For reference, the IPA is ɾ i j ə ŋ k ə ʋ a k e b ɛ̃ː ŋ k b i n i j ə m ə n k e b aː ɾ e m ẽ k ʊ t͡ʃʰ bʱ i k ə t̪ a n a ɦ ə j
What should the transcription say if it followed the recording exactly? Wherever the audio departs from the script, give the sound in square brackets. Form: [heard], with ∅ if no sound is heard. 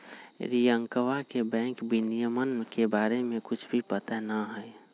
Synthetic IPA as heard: ɾ i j ə ŋ k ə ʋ a k e b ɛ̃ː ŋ k b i n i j ə m ə n k e b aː ɾ e m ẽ k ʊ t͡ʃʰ bʱ i [p] ə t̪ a n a ɦ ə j